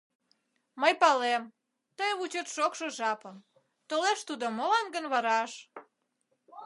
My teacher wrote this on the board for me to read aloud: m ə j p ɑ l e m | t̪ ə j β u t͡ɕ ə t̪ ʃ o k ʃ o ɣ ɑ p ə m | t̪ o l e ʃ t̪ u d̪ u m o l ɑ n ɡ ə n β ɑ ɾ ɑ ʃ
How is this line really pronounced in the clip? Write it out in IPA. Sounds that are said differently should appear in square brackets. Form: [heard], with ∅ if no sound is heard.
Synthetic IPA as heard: m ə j p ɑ l e m | t̪ ə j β u t͡ɕ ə t̪ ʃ o k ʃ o [ʒ] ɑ p ə m | t̪ o l e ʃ t̪ u d̪ [o] m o l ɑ n ɡ ə n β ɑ ɾ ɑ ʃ

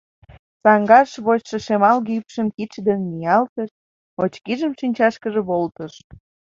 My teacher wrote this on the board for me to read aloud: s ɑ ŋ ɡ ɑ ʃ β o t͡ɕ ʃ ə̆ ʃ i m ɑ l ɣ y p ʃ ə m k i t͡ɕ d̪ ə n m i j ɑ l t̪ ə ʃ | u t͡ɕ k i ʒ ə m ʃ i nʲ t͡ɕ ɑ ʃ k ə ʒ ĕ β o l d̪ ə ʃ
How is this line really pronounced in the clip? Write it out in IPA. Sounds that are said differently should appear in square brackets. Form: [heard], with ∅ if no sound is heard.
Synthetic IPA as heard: s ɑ ŋ ɡ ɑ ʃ β o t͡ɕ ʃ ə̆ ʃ [e] m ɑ l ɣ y p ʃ ə m k i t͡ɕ d̪ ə n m i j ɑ l t̪ ə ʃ | [o] t͡ɕ k i ʒ ə m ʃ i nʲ t͡ɕ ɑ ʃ k ə ʒ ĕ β o l [t̪] ə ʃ

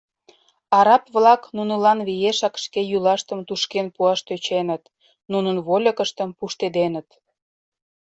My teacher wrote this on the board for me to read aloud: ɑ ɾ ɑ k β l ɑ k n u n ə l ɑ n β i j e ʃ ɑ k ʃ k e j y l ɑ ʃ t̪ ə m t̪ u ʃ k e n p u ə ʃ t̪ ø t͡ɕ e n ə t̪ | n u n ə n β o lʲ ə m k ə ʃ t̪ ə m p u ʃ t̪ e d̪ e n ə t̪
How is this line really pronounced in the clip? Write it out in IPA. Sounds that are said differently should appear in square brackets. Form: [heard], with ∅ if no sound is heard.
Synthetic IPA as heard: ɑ ɾ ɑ [p] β l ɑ k n u n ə l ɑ n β i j e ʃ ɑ k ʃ k e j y l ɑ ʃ t̪ ə m t̪ u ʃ k e n p u [ɑ] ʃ t̪ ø t͡ɕ e n ə t̪ | n u n ə n β o lʲ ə [∅] k ə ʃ t̪ ə m p u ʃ t̪ e d̪ e n ə t̪

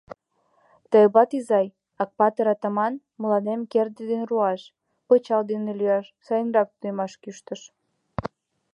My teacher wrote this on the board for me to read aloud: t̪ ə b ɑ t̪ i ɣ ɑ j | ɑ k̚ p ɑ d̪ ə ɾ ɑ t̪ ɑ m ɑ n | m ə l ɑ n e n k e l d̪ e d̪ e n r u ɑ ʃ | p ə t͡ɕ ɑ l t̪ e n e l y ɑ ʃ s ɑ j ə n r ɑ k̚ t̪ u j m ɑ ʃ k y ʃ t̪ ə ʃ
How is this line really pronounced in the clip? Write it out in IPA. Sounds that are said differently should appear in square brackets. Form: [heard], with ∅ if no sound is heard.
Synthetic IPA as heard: t̪ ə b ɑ t̪ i [z] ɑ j | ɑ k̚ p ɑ [t̪] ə ɾ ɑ t̪ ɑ m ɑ n | m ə l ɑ n e [m] k e [r] d̪ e d̪ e n r u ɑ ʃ | p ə t͡ɕ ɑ l [d̪] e n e l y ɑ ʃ s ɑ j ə n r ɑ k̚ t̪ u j m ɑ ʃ k y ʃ t̪ ə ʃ

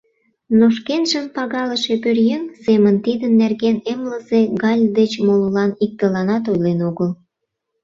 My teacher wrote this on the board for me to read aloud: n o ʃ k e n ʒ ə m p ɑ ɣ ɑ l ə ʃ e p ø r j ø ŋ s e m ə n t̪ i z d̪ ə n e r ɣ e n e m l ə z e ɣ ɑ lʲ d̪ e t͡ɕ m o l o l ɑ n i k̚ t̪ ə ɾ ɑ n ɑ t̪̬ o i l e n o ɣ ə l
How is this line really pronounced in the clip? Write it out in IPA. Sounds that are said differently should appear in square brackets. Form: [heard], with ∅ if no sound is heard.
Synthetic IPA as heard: n o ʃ k e n ʒ ə m p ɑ ɣ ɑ l ə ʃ e p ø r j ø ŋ s e m ə n t̪ i [∅] d̪ ə [nː] e r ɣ e n e m l ə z e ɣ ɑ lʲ d̪ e t͡ɕ m o l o l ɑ n i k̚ t̪ ə [l] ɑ n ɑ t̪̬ o [j] l e n o ɣ ə l

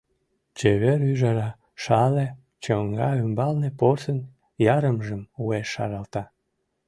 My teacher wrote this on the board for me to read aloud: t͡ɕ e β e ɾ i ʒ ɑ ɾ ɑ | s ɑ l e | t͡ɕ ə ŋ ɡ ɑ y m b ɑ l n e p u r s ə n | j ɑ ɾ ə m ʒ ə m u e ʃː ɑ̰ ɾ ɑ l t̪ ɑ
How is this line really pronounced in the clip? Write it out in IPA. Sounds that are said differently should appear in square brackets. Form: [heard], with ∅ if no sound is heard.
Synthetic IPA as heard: t͡ɕ e β e ɾ [y] ʒ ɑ ɾ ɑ | [ʃ] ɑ l e | t͡ɕ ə ŋ ɡ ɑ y m b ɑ l n e p [o] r s ə n | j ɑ ɾ ə m ʒ ə m u e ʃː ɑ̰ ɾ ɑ l t̪ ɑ

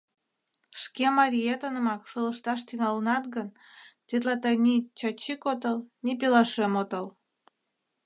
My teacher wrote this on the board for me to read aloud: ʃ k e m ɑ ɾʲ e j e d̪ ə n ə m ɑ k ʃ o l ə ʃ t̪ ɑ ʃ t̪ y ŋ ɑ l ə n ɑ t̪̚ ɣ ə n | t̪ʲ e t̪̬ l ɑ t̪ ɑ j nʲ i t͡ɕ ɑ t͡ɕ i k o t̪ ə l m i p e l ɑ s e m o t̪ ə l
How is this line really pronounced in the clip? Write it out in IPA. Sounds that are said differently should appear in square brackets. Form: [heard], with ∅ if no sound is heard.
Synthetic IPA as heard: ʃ k e m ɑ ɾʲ [i] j e [t̪] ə n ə m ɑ k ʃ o l ə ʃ t̪ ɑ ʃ t̪ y ŋ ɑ l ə n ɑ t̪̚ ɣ ə n | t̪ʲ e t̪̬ l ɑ t̪ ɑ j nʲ i t͡ɕ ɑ t͡ɕ i k o t̪ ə l [n] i p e l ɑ [ʃ] e m o t̪ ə l

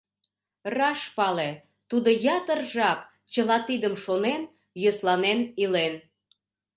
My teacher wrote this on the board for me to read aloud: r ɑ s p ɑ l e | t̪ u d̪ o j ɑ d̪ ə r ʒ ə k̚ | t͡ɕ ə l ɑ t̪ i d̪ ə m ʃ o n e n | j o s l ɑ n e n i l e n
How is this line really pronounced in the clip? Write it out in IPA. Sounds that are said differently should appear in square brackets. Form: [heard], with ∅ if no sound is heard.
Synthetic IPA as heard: r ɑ [ʃ] p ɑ l e | t̪ u d̪ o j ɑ [t̪] ə r ʒ [ɑ] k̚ | t͡ɕ ə l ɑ t̪ i d̪ ə m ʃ o n e n | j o s l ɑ n e n i l e n

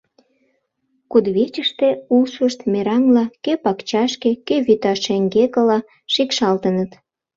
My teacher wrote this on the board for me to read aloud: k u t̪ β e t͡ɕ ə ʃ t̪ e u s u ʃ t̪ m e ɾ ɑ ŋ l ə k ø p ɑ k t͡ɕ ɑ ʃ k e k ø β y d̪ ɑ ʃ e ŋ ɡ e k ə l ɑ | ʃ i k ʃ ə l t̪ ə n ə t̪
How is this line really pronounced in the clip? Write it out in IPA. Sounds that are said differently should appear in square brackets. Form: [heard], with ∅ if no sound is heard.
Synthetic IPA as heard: k u [d̪] β e t͡ɕ ə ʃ t̪ e u s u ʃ t̪ m e ɾ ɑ ŋ l [ɑ] k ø p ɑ k t͡ɕ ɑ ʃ k e k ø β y [t̪] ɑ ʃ e ŋ ɡ e k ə l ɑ | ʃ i k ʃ [ɑ] l t̪ ə n ə t̪

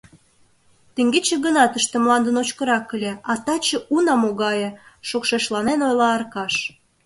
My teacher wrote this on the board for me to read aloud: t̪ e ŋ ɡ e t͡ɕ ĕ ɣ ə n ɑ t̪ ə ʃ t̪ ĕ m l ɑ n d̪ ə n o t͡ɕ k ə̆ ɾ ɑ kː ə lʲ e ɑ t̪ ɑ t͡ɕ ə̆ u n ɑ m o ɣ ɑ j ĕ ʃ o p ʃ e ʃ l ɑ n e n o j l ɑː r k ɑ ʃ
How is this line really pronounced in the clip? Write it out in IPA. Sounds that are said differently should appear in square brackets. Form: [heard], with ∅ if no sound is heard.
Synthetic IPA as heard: t̪ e ŋ ɡ e t͡ɕ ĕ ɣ ə n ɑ t̪ ə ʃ t̪ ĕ m l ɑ n d̪ ə n o t͡ɕ k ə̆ ɾ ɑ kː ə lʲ e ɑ t̪ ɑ t͡ɕ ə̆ u n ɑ m o ɣ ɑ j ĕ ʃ o [k] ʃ e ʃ l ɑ n e n o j l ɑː r k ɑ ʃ

